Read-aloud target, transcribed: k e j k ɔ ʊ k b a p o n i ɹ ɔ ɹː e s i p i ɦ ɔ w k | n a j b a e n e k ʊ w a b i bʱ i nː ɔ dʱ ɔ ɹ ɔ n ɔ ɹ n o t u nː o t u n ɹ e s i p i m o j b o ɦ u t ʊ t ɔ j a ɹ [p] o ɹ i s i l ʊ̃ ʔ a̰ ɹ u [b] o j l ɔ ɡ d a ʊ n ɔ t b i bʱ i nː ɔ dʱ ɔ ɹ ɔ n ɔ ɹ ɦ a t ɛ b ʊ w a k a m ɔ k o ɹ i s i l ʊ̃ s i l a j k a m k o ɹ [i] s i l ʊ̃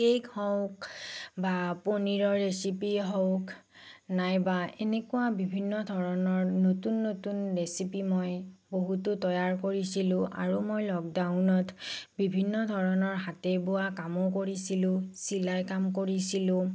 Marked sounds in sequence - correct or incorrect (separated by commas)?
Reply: incorrect, incorrect, correct